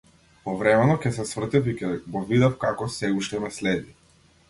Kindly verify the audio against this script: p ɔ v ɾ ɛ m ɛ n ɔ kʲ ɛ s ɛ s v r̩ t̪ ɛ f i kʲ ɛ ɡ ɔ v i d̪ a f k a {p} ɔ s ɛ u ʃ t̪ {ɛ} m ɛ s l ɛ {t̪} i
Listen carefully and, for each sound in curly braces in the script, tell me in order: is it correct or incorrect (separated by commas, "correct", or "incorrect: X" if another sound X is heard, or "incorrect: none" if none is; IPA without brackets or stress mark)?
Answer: incorrect: k, correct, incorrect: d̪